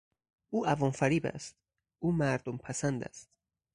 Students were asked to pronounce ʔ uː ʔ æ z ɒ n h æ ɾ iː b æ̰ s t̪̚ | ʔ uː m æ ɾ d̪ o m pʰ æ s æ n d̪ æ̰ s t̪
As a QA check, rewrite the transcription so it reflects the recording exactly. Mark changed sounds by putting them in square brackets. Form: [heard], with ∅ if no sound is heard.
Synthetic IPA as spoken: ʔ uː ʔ æ [v] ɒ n [f] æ ɾ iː b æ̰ s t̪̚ | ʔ uː m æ ɾ d̪ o m pʰ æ s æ n d̪ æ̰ s t̪